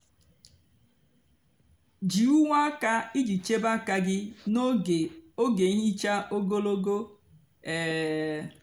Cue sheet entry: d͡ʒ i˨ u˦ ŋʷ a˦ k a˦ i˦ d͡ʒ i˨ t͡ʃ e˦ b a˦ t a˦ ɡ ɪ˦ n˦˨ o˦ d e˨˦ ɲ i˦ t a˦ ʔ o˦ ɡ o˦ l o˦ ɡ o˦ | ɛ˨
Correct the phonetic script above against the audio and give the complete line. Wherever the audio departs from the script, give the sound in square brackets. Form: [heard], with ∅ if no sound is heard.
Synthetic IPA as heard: d͡ʒ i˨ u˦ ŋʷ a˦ k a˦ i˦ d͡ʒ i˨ t͡ʃ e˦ b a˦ [k] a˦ ɡ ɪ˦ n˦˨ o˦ [ɡ] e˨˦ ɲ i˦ [t͡ʃ] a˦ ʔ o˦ ɡ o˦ l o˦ ɡ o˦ | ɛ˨